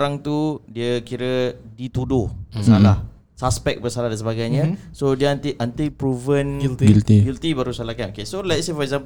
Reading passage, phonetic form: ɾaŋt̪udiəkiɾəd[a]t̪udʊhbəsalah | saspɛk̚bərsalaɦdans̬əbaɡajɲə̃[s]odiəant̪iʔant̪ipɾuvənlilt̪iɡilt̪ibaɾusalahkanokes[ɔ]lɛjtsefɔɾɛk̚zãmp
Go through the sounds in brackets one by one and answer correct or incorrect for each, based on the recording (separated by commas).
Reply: incorrect, correct, incorrect